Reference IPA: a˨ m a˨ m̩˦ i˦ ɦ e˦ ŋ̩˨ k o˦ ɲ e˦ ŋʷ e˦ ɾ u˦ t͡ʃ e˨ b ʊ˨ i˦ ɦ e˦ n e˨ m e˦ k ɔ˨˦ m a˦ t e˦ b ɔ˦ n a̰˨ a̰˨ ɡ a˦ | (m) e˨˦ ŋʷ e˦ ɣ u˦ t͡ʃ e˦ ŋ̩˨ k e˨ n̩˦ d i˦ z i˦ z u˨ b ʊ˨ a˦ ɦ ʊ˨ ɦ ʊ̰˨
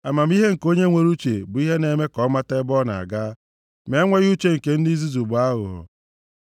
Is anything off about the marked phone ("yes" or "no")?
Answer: no